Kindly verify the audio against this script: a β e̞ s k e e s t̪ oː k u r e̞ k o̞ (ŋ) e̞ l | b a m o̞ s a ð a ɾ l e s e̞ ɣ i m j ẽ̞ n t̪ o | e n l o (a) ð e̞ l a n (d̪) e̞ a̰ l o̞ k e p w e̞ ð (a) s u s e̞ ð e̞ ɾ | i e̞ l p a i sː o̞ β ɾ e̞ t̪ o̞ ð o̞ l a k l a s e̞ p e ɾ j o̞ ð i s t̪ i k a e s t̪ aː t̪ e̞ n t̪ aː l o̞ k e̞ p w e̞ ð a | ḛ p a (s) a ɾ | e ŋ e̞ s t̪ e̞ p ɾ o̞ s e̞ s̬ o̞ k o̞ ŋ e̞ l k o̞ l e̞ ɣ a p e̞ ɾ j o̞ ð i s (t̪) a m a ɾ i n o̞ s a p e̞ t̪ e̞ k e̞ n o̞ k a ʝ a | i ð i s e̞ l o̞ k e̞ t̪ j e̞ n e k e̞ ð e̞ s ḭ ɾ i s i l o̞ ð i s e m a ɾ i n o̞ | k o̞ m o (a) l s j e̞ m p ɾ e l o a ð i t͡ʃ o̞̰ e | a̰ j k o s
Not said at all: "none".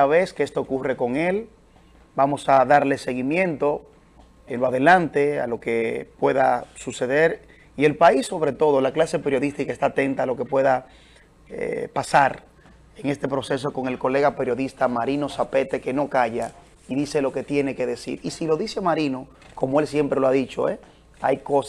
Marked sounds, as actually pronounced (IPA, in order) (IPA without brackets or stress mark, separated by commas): ŋ, a, t̪, a, s, t̪, e